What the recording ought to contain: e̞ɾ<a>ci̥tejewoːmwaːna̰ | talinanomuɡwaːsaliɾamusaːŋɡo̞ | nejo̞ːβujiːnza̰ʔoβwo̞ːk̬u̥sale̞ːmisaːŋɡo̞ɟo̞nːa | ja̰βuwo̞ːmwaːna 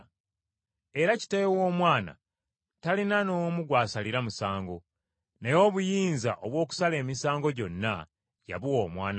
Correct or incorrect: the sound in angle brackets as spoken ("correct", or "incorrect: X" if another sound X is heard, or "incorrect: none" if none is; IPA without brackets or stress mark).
correct